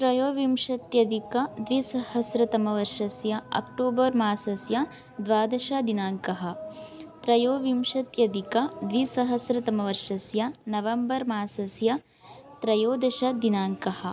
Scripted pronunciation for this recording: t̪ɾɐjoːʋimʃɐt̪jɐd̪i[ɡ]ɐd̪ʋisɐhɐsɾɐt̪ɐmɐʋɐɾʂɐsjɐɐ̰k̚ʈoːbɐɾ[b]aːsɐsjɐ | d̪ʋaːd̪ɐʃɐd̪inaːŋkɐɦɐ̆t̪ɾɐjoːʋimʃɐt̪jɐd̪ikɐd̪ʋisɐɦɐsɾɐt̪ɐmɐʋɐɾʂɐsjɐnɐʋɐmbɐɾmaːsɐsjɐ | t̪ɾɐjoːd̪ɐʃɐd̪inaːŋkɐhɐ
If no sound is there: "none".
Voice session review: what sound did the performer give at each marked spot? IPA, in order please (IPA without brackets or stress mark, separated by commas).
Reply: k, m